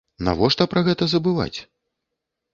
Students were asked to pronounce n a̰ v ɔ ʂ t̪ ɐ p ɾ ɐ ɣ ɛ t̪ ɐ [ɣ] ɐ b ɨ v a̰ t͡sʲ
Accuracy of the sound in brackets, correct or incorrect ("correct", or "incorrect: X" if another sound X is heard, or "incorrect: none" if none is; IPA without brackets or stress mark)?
incorrect: z